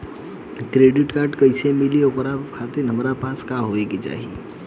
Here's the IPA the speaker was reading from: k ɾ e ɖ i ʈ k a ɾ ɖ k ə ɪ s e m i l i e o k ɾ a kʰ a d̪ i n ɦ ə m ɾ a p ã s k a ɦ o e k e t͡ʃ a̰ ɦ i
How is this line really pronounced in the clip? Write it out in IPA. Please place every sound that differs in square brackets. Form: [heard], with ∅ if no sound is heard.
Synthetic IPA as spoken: k ɾ e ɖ i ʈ k a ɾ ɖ k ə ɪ s e m i l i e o k ɾ a kʰ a [t̪] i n ɦ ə m ɾ a p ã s k a ɦ o e k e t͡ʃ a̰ ɦ i